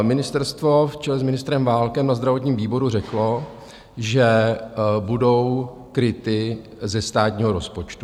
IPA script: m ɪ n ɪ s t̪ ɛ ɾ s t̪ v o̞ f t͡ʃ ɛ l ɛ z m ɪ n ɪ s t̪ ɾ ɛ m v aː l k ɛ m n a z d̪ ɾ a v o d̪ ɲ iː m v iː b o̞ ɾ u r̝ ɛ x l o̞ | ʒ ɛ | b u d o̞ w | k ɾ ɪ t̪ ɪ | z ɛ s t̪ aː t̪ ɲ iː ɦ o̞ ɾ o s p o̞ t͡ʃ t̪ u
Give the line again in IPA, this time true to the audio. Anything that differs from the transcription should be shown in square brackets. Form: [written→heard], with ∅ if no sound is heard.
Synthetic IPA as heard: m ɪ n ɪ s t̪ ɛ ɾ s t̪ v o̞ f t͡ʃ ɛ l ɛ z m ɪ n ɪ s t̪ ɾ ɛ m v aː l k ɛ m n a z d̪ ɾ a v o [d̪→t̪] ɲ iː m v iː b o̞ ɾ u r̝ ɛ [x→k] l o̞ | ʒ ɛ | b u d o̞ w | k ɾ ɪ t̪ ɪ | z ɛ s t̪ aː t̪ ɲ iː ɦ o̞ ɾ o s p o̞ t͡ʃ t̪ u